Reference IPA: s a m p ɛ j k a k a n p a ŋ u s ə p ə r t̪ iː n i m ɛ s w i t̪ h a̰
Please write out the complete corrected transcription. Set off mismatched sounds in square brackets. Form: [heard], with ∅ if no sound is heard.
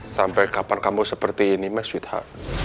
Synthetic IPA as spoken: s a m p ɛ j k a [p] a n [k] a [m] u s ə p ə r t̪ iː n i m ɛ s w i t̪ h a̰